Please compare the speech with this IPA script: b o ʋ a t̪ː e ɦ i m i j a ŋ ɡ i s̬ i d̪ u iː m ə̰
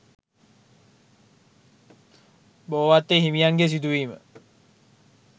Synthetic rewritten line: b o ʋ a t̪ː e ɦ i m i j a ŋ ɡ e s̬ i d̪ u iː m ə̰

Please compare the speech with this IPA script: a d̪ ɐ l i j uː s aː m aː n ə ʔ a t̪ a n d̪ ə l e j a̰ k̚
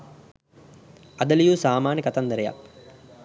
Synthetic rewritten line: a d̪ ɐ l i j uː s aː m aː n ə k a t̪ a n d̪ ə ɾ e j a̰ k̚

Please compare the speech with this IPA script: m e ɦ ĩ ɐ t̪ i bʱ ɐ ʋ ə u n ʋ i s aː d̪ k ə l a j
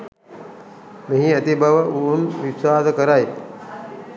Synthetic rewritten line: m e ɦ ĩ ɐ t̪ i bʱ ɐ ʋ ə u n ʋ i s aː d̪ k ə ɾ a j

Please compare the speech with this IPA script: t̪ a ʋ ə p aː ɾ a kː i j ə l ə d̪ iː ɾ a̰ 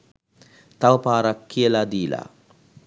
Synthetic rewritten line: t̪ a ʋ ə p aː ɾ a kː i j ə l a d̪ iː l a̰

